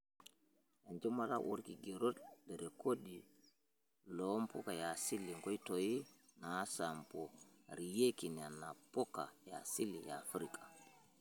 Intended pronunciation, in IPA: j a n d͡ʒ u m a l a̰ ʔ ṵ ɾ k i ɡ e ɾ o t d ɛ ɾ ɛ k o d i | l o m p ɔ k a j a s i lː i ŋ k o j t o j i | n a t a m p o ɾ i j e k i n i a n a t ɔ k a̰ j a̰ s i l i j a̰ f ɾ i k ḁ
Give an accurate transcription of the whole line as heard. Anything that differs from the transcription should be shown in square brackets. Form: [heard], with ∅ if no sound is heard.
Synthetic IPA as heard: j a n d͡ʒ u m a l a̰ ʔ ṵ ɾ k i ɡ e ɾ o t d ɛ ɾ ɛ k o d i | l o m p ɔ k a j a s i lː i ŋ k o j t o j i | n a [s] a m p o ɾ i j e k i n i a n a [p] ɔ k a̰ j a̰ s i l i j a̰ f ɾ i k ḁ